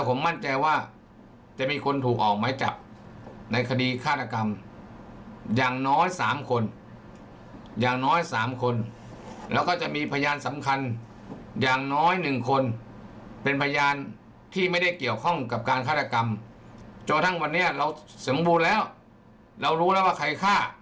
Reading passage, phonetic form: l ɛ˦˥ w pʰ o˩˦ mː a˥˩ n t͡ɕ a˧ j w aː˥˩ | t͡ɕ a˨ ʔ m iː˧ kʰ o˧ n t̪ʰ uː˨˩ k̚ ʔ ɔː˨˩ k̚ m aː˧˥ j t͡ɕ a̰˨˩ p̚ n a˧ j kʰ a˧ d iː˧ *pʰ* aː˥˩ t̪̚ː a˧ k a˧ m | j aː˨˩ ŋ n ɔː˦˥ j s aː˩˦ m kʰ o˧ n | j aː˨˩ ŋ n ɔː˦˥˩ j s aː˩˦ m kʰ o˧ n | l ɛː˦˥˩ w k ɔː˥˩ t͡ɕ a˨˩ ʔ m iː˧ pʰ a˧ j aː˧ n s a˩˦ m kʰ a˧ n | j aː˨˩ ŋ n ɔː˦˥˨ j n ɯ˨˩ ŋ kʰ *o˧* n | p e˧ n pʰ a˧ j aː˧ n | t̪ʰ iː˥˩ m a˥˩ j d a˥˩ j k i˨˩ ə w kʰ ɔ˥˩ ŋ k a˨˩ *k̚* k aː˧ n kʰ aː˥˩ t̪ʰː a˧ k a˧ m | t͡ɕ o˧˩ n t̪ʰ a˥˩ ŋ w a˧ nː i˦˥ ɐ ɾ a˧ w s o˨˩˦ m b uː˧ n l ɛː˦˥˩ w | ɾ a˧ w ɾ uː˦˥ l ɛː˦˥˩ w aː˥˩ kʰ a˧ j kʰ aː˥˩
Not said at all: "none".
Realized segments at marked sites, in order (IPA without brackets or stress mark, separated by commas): kʰ, o˧, p̚